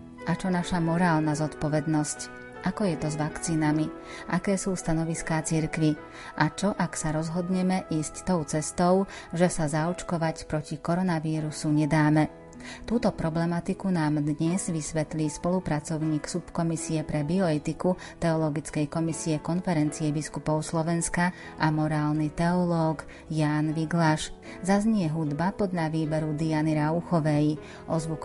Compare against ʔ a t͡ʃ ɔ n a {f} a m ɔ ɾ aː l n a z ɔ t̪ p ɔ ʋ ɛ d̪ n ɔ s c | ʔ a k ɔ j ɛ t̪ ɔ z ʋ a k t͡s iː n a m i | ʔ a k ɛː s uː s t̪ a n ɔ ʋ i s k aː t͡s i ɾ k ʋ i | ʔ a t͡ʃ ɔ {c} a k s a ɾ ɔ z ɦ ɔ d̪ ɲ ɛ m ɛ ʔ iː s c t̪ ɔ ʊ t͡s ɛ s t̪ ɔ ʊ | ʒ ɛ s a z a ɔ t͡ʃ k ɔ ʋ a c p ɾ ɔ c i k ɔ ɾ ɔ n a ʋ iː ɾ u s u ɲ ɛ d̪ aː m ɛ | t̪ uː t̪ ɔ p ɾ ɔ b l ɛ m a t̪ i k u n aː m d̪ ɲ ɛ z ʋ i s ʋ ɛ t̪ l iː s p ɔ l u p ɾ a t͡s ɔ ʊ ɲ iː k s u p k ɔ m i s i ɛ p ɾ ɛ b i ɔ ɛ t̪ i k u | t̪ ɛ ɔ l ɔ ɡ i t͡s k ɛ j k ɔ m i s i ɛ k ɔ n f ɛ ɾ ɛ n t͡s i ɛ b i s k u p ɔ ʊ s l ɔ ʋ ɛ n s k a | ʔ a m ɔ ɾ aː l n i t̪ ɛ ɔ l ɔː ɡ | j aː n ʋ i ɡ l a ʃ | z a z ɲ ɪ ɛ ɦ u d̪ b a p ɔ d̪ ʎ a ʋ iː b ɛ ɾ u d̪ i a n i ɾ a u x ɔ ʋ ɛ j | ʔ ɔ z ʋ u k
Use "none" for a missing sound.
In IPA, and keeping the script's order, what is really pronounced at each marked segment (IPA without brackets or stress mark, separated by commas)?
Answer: ʃ, ʔ